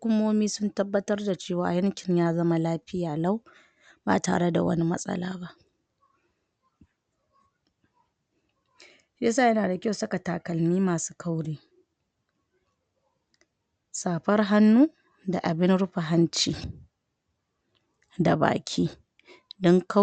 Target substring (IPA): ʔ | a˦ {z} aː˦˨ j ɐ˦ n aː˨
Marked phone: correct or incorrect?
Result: incorrect